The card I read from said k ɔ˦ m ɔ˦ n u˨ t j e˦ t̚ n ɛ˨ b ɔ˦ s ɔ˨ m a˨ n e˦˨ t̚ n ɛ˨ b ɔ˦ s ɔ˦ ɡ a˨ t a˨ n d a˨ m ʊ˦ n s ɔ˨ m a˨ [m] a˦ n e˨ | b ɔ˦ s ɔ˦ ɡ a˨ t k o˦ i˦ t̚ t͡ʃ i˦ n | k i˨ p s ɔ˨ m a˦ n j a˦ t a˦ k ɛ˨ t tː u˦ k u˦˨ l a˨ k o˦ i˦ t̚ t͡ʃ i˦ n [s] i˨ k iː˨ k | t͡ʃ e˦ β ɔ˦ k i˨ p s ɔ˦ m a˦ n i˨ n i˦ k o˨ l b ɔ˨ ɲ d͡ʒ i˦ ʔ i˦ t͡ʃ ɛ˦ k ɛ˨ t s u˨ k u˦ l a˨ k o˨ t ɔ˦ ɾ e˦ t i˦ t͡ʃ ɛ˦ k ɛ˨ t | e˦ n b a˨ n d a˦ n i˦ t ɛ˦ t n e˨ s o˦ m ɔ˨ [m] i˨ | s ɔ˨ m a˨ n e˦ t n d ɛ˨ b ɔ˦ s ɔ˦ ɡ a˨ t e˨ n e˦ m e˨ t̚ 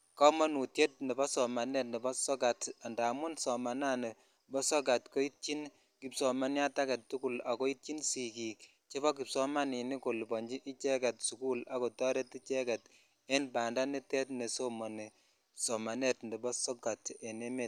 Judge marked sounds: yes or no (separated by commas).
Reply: no, yes, no